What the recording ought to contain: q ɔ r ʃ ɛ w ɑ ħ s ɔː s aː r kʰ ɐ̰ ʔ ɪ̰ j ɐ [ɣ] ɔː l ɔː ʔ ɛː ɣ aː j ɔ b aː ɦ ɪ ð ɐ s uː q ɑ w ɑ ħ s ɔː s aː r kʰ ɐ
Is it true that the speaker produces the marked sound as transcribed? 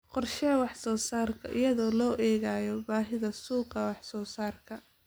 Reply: no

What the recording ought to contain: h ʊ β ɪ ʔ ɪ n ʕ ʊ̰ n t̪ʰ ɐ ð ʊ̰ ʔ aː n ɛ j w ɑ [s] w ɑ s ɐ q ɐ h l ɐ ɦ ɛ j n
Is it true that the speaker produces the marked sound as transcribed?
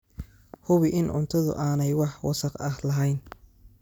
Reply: no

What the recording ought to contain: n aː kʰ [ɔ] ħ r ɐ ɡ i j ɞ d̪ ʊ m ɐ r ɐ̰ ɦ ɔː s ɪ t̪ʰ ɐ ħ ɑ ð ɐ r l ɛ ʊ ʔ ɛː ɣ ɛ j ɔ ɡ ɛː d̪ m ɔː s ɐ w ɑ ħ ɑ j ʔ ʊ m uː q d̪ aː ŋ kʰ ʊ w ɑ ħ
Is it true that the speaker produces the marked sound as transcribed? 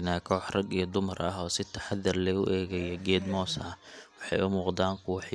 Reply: no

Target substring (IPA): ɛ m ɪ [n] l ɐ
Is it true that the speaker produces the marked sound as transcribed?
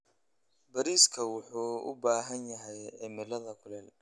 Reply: no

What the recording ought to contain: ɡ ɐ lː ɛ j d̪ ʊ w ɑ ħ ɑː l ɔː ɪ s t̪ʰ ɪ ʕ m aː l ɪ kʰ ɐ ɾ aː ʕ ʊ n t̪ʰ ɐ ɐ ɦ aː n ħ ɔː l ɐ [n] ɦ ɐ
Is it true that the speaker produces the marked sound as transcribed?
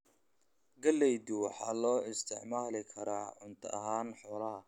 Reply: no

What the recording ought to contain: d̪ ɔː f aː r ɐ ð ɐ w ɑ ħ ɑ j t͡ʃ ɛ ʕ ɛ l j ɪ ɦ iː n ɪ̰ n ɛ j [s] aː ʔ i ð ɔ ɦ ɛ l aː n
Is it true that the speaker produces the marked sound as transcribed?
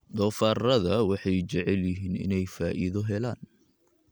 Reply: no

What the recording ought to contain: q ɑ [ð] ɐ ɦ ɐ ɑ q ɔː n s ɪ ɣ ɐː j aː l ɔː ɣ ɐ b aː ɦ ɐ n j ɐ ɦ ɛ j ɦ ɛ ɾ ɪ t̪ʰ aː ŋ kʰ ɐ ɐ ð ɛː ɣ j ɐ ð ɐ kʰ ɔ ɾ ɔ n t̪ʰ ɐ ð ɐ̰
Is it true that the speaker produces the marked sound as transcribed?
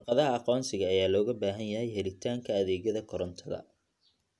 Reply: yes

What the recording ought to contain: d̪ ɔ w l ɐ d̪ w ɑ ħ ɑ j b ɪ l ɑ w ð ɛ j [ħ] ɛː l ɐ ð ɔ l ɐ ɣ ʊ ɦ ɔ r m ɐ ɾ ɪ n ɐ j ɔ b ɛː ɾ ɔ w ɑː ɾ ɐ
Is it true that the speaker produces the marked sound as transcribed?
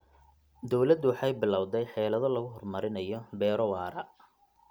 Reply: yes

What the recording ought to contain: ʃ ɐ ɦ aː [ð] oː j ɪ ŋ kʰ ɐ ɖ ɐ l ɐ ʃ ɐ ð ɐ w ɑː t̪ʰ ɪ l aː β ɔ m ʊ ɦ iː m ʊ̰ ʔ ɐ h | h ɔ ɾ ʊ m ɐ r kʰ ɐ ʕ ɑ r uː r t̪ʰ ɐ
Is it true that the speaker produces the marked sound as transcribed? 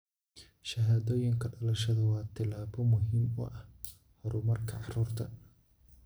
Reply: yes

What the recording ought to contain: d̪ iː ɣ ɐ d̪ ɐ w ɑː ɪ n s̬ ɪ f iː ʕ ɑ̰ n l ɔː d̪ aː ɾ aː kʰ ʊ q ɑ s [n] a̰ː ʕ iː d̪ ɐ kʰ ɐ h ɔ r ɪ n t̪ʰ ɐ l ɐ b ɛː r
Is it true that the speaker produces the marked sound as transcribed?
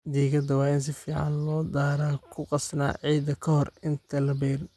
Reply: yes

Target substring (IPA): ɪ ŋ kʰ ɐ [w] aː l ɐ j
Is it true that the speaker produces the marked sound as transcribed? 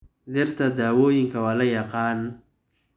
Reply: yes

